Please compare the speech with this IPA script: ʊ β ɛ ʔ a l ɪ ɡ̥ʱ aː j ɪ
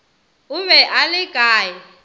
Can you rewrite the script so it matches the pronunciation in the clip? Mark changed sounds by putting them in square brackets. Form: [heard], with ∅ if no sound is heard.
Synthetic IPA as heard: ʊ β ɛ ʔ a l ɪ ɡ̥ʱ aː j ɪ